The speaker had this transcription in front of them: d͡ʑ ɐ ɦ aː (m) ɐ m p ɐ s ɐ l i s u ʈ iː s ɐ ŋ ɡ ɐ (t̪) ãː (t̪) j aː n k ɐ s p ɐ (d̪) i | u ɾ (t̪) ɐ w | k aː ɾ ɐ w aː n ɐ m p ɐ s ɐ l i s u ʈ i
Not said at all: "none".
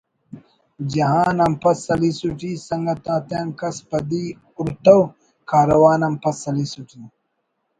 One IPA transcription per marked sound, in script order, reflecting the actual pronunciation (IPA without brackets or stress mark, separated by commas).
n, t̪, t̪, d̪, t̪